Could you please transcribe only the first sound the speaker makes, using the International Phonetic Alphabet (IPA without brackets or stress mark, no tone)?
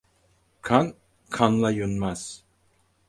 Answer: kʰ